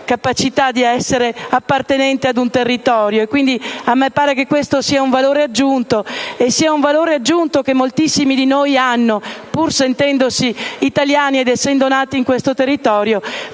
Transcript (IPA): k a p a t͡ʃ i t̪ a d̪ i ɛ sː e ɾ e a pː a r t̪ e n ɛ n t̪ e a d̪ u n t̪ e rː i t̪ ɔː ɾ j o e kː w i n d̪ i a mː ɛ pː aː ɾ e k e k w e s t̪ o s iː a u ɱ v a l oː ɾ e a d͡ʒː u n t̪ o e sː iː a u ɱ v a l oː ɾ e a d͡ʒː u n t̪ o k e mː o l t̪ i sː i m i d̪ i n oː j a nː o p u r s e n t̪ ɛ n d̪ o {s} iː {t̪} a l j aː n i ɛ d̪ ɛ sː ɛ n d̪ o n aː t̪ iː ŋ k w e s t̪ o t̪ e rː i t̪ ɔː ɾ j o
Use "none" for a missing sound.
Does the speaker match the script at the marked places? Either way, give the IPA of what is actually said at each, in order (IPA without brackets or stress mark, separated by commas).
s, t̪